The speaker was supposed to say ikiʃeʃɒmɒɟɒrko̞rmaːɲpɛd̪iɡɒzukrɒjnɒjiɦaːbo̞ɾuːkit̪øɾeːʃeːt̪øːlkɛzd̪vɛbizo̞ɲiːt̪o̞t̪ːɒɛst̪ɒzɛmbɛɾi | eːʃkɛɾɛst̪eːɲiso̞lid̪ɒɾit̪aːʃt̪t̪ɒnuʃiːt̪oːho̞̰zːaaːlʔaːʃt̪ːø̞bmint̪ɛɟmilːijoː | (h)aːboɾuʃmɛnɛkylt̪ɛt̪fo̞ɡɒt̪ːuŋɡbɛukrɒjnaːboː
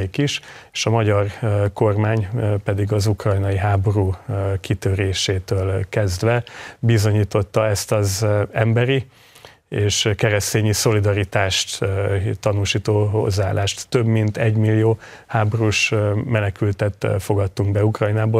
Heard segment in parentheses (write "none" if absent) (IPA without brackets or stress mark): h